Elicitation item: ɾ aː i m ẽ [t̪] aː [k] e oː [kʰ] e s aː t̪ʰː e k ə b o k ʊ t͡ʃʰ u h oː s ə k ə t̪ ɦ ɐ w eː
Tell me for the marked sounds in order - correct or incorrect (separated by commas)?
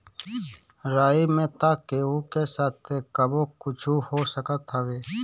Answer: correct, correct, incorrect